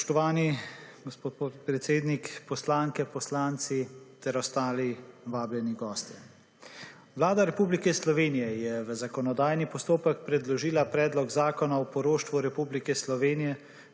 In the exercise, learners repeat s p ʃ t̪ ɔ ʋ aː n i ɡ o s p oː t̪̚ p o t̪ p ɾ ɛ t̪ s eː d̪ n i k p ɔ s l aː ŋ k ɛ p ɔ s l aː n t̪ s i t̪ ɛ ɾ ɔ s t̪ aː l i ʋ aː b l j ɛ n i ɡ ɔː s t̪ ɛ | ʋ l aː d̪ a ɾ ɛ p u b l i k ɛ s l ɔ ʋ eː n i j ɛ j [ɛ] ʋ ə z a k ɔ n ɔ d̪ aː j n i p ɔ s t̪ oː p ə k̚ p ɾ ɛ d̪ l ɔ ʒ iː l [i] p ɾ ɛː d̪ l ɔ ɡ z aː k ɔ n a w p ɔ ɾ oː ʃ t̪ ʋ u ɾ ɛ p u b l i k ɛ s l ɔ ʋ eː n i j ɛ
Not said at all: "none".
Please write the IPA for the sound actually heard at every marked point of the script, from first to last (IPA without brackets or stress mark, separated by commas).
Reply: ɛ, a